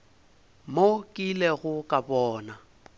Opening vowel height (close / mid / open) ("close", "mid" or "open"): mid